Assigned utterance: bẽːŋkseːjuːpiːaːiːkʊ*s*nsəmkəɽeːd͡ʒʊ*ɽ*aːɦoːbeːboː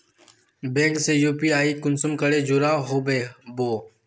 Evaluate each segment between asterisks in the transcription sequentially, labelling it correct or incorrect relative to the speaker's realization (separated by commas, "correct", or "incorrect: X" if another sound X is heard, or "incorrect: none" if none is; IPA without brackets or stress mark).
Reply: incorrect: none, incorrect: ɾ